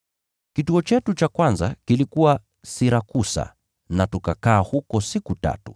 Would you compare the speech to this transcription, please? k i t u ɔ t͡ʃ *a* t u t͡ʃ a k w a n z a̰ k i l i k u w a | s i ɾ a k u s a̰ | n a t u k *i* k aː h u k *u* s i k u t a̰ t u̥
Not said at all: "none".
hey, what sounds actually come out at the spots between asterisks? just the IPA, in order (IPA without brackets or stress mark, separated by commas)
ɛ, a, ɔ